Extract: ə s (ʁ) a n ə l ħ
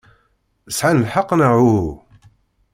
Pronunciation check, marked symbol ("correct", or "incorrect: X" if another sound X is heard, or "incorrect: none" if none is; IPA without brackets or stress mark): incorrect: ʕ